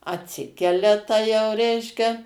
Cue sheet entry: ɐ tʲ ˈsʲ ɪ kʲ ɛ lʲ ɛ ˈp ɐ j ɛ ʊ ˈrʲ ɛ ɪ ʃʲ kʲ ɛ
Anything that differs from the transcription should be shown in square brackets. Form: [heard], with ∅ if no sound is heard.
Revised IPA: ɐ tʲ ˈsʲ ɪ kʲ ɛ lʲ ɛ [ˈt] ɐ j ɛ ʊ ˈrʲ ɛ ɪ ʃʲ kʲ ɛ

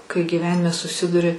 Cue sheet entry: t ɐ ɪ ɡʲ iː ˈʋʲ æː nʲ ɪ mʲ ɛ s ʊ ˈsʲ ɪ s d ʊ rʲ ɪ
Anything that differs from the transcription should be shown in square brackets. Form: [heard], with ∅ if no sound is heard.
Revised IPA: [k] ɐ ɪ ɡʲ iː ˈʋʲ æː nʲ ɪ mʲ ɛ s ʊ ˈsʲ ɪ [∅] d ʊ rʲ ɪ

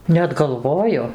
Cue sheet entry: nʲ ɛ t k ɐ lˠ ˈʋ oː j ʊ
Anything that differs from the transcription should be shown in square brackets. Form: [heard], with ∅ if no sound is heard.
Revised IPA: nʲ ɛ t [ɡ] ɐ lˠ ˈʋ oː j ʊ

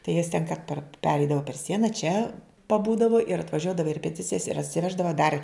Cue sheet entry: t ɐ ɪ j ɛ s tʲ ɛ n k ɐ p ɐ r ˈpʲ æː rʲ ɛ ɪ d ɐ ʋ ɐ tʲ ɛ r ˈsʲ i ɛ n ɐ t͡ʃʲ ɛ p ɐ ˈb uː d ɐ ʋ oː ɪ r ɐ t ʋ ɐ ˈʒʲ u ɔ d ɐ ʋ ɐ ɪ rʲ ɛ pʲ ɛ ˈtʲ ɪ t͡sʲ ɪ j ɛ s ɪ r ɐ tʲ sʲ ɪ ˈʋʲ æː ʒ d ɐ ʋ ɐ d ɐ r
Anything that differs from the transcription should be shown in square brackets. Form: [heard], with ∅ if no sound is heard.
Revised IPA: t ɐ ɪ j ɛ s tʲ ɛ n k ɐ p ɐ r ˈpʲ æː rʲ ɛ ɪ d ɐ ʋ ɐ [pʲ] ɛ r ˈsʲ i ɛ n ɐ t͡ʃʲ ɛ p ɐ ˈb uː d ɐ ʋ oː ɪ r ɐ t ʋ ɐ ˈʒʲ u ɔ d ɐ ʋ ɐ ɪ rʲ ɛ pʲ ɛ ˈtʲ ɪ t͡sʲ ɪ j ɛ s ɪ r ɐ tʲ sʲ ɪ ˈʋʲ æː ʒ d ɐ ʋ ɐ d ɐ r

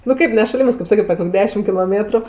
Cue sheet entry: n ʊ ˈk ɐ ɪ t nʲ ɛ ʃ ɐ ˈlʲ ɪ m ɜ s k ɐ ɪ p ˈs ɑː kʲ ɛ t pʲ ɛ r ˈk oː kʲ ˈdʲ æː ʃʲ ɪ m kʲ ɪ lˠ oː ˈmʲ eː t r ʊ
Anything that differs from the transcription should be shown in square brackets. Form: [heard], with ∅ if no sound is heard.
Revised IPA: n ʊ ˈk ɐ ɪ [p] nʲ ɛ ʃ ɐ ˈlʲ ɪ m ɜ s k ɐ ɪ p ˈs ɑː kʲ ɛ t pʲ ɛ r ˈk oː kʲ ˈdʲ æː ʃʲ ɪ m kʲ ɪ lˠ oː ˈmʲ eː t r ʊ

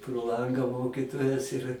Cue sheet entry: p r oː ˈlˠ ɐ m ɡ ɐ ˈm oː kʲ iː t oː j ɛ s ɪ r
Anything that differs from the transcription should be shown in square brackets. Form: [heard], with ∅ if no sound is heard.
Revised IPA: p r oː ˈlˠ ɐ [ŋ] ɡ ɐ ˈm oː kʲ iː t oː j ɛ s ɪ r

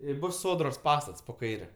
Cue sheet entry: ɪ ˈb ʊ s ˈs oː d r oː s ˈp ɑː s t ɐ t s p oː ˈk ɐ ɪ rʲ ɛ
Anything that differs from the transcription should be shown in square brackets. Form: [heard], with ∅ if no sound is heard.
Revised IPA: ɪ ˈb ʊ s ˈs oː d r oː s ˈp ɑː s t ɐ t s p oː ˈk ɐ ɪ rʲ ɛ

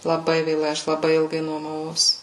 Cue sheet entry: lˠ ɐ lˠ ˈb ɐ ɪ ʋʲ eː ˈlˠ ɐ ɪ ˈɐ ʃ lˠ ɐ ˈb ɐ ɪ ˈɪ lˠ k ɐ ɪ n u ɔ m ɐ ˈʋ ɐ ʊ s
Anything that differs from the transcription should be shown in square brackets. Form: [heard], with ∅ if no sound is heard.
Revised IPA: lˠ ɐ [∅] ˈb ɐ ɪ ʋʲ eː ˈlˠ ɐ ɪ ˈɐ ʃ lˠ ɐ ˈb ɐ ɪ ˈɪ lˠ [ɡ] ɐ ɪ n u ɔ m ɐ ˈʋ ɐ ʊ s

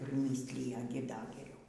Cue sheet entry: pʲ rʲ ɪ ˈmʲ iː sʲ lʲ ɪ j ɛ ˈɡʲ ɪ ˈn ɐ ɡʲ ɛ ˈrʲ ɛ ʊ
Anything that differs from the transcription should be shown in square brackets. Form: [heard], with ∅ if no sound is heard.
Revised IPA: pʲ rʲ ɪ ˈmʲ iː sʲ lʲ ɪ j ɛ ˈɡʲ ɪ [ˈd] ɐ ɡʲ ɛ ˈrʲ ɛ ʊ

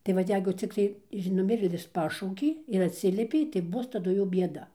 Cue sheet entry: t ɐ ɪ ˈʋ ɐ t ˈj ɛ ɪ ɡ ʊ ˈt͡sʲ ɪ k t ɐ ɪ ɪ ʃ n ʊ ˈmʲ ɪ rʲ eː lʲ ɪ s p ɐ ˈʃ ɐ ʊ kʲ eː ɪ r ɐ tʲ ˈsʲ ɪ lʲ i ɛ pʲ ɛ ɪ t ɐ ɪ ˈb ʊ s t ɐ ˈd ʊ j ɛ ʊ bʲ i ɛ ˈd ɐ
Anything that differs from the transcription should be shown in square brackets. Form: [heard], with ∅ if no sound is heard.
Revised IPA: t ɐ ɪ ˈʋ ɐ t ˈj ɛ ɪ ɡ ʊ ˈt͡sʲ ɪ k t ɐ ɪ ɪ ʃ n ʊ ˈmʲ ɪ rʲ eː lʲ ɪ s p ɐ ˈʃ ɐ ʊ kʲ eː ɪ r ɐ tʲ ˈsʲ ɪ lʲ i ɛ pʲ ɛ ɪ t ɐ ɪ ˈb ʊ s t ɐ ˈd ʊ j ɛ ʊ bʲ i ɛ ˈd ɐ

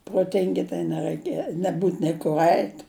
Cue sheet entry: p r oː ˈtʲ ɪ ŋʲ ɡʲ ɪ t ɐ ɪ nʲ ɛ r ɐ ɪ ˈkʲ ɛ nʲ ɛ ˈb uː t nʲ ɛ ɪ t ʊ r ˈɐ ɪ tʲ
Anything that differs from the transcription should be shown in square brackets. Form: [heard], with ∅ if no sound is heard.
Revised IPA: p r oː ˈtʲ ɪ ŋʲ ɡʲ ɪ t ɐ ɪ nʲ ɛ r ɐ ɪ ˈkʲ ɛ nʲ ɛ ˈb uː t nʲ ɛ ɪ [k] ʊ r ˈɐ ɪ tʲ

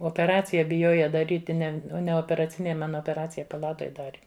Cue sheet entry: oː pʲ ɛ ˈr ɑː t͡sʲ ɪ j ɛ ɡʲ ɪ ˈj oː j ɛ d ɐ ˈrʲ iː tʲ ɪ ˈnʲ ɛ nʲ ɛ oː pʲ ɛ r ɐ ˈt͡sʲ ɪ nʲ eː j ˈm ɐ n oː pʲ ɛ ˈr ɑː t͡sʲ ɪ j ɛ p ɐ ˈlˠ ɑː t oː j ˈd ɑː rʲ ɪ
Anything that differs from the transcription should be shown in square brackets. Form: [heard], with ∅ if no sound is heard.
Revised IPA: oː pʲ ɛ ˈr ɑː t͡sʲ ɪ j ɛ [bʲ] ɪ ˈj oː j ɛ d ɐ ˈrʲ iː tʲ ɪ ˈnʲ ɛ nʲ ɛ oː pʲ ɛ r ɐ ˈt͡sʲ ɪ nʲ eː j ˈm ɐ n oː pʲ ɛ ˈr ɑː t͡sʲ ɪ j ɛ p ɐ ˈlˠ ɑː t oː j ˈd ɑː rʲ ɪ

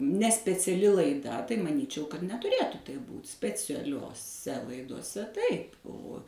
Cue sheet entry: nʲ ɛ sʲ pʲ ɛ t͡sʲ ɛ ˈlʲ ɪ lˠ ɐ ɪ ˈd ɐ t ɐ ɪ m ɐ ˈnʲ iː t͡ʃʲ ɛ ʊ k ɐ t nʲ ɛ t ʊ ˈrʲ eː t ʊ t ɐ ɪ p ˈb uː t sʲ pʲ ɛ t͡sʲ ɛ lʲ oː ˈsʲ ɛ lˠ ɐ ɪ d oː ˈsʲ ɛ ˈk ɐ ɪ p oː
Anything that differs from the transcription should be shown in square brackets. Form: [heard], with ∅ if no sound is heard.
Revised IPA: nʲ ɛ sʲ pʲ ɛ t͡sʲ ɛ ˈlʲ ɪ lˠ ɐ ɪ ˈd ɐ t ɐ ɪ m ɐ ˈnʲ iː t͡ʃʲ ɛ ʊ k ɐ t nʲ ɛ t ʊ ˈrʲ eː t ʊ t ɐ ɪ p ˈb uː t sʲ pʲ ɛ t͡sʲ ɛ lʲ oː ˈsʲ ɛ lˠ ɐ ɪ d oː ˈsʲ ɛ [ˈt] ɐ ɪ p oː

